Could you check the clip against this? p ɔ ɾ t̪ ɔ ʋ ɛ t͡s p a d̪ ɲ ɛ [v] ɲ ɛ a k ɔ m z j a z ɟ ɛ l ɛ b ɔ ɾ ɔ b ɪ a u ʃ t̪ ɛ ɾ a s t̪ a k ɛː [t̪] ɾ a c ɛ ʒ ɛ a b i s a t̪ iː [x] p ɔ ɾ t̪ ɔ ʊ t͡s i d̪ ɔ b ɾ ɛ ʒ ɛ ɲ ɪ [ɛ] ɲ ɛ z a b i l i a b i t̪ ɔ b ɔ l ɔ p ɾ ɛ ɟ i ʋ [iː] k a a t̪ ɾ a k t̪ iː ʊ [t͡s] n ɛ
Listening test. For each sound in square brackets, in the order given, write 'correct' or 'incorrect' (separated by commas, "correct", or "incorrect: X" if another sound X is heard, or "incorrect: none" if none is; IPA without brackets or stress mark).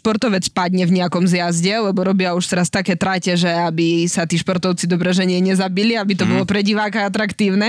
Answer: correct, correct, incorrect: ʃ, correct, incorrect: aː, incorrect: none